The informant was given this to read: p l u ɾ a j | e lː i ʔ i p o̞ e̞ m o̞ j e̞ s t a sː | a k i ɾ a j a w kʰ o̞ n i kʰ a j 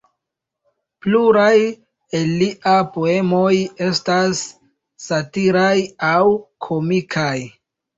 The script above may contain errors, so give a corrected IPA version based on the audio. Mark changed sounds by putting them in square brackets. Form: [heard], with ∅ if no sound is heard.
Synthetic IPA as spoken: p l u ɾ a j | e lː i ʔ [a] p o̞ e̞ m o̞ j e̞ s t a sː | a [t] i ɾ a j a w kʰ o̞ [m] i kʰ a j